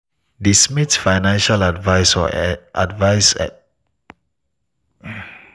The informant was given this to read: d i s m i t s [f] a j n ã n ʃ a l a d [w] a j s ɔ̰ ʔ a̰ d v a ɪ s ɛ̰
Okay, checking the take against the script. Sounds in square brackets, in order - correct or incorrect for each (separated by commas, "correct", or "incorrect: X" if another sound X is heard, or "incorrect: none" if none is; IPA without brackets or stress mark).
correct, incorrect: v